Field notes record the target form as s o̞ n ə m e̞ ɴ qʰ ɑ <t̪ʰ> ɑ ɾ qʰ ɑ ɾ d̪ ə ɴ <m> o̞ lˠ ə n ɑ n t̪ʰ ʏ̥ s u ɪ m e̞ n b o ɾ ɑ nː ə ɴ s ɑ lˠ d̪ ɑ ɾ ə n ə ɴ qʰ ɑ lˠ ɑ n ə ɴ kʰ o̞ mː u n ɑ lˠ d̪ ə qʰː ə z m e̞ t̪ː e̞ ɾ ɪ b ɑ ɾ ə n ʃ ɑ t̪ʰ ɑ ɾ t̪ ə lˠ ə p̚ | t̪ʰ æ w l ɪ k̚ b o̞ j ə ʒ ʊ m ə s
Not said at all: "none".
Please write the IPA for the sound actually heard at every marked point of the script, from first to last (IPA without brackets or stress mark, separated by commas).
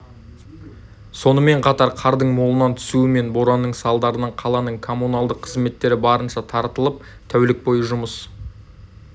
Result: t̪, m